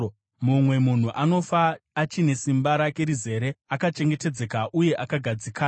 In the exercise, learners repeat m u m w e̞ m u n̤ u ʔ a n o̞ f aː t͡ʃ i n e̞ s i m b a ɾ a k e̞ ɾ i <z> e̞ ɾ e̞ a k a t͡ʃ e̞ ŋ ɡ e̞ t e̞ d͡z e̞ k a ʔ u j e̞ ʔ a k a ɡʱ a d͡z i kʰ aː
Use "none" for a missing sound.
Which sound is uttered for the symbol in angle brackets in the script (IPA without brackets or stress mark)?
z